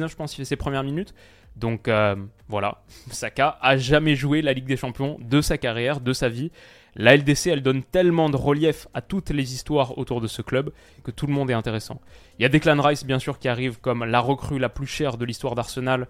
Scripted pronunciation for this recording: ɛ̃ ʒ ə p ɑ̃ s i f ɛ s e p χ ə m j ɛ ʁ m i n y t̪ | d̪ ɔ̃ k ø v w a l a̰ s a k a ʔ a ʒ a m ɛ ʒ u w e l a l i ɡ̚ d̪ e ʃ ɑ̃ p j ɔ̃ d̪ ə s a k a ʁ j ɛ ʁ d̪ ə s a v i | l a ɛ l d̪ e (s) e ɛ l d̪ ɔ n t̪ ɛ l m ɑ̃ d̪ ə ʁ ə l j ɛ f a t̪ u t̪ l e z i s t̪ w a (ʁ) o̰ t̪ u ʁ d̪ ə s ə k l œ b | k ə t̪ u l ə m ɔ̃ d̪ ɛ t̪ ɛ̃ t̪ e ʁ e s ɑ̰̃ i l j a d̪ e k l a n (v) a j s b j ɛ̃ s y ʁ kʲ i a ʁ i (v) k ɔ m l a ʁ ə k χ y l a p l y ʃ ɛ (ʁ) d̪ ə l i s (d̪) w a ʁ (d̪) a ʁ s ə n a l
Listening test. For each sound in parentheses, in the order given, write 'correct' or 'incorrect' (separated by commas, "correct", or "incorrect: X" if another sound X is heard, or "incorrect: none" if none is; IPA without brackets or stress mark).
correct, correct, incorrect: ʁ, correct, correct, incorrect: t̪, correct